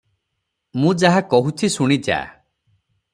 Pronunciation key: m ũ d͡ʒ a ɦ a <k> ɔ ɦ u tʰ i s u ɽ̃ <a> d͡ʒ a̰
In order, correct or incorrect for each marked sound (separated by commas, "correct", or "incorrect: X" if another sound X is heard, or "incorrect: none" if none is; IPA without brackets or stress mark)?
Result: correct, incorrect: i